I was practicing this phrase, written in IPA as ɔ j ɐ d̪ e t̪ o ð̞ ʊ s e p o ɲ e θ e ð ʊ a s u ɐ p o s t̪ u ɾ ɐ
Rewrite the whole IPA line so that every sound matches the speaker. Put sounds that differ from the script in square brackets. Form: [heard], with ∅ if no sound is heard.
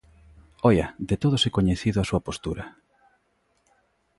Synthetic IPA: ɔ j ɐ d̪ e t̪ o ð̞ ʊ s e [k] o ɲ e θ [i] ð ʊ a s u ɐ p o s t̪ u ɾ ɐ